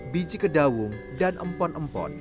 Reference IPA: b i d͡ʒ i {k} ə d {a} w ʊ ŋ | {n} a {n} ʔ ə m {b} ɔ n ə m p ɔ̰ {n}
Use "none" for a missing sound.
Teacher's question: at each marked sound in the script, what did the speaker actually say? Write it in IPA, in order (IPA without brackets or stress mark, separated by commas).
k, a, d, n, p, n